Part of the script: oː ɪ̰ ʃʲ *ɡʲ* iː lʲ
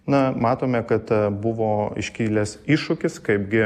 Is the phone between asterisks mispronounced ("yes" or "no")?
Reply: yes